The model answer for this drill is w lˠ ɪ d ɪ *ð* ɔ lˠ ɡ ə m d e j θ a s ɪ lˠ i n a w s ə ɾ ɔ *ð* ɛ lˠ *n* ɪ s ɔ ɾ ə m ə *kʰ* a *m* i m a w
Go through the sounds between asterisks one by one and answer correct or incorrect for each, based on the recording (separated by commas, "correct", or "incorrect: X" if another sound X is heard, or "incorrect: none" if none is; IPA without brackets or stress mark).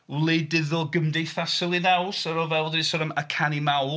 correct, incorrect: v, incorrect: d, correct, incorrect: n